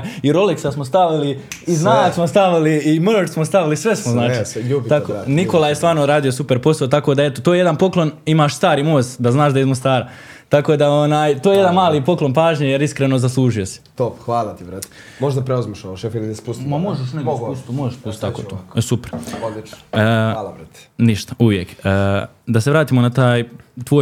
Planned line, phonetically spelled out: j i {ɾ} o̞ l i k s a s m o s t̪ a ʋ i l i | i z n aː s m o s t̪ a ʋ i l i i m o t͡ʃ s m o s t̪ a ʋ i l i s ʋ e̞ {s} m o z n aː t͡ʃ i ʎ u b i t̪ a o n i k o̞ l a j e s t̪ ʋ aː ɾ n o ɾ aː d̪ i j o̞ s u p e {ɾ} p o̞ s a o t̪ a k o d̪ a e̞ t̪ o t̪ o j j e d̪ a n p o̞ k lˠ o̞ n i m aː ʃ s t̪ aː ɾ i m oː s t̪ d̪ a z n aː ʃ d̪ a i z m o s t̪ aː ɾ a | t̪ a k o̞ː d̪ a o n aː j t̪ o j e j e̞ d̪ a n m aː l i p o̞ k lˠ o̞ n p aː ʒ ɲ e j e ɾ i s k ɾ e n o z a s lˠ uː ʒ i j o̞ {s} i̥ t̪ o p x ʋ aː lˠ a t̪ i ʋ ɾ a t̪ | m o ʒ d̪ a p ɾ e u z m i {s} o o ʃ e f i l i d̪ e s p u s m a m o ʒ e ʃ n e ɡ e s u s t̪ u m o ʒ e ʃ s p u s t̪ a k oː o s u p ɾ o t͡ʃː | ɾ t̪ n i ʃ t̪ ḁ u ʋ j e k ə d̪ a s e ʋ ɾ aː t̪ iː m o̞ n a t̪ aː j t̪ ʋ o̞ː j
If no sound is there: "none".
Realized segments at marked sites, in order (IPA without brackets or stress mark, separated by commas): ɾ, s, ɾ, s, ʃ